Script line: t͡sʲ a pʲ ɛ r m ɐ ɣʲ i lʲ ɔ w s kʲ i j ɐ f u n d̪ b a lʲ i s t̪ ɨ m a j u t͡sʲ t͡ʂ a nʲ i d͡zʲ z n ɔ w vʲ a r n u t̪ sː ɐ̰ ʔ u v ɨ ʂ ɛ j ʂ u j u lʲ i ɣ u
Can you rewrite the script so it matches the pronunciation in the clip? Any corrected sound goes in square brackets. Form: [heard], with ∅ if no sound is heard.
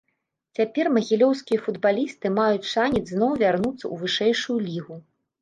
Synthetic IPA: t͡sʲ a pʲ ɛ r m ɐ ɣʲ i lʲ ɔ w s kʲ i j ɐ f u [∅] d̪ b a lʲ i s t̪ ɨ m a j u t͡sʲ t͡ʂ a nʲ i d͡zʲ z n ɔ w vʲ a r n u t̪ sː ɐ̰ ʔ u v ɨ ʂ ɛ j ʂ u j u lʲ i ɣ u